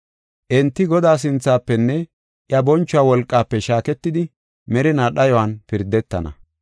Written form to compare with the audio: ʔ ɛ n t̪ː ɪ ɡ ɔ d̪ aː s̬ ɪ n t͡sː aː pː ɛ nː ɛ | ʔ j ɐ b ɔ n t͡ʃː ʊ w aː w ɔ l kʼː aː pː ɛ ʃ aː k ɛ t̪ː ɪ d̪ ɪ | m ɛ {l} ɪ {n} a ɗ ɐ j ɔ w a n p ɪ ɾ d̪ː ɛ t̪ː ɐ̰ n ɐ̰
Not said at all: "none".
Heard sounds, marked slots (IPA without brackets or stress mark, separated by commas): ɾ, n